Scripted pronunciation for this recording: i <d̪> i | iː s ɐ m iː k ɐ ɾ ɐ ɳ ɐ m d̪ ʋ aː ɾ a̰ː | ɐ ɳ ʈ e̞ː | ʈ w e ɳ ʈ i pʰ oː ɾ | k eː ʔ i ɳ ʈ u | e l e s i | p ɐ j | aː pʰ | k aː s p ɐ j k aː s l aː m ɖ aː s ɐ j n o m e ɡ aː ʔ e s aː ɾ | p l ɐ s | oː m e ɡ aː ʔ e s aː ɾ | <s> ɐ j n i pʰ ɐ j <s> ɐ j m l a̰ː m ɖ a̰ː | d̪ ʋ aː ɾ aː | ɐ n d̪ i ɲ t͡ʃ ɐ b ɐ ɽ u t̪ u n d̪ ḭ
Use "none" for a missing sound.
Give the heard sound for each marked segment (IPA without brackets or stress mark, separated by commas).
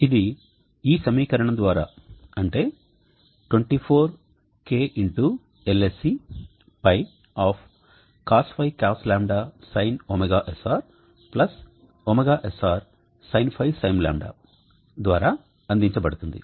d̪, s, s